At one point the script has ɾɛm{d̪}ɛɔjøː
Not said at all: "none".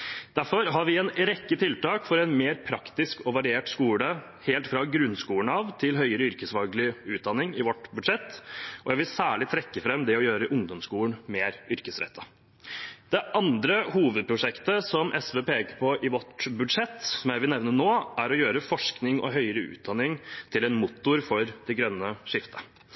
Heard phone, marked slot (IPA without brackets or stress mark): d̪